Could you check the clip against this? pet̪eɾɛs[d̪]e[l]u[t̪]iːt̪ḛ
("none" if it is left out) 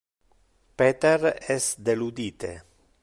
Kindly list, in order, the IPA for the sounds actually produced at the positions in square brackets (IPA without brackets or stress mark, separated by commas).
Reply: d̪, l, d̪